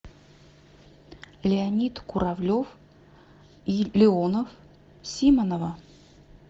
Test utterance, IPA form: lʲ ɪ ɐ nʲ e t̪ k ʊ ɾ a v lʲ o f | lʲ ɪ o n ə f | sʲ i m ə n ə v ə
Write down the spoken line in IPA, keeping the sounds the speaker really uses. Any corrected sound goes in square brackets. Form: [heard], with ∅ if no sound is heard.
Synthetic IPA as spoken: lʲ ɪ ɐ nʲ [i] t̪ k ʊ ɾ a v lʲ o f | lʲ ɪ o n ə f | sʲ i m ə n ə v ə